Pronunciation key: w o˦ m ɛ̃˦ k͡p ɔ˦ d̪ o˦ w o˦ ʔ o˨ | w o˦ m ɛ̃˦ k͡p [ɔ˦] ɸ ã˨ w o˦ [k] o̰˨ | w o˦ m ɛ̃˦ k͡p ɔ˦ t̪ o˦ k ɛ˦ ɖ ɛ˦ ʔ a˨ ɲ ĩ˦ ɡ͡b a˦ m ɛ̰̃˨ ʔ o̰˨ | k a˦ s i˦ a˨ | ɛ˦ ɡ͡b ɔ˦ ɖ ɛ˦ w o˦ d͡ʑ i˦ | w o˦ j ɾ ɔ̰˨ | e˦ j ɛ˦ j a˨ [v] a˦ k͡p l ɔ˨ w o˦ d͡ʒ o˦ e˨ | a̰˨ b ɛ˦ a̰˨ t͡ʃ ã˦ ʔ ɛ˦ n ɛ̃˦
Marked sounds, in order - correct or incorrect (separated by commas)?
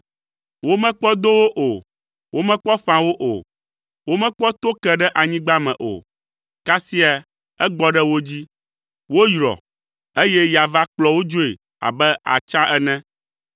correct, incorrect, correct